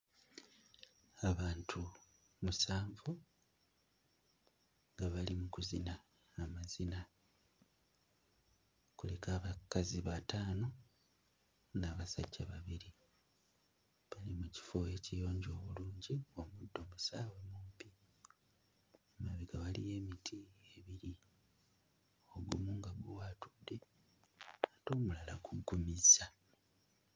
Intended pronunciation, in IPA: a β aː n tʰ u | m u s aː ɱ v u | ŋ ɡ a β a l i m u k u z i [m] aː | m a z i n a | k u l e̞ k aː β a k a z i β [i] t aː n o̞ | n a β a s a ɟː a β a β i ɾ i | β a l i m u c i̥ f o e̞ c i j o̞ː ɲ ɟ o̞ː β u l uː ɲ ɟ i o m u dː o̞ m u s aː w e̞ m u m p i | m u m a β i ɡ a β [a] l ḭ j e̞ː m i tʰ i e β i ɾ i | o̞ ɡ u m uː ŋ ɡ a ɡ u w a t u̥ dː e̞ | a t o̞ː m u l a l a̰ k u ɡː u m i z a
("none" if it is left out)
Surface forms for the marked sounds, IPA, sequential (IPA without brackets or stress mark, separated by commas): n, a, a